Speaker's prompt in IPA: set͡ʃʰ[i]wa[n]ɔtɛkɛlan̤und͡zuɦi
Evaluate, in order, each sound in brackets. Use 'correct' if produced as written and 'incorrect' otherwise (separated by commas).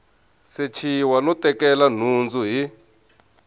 correct, correct